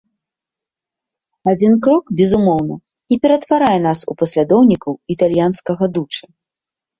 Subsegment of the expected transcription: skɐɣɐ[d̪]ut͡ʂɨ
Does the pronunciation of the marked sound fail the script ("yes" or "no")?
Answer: no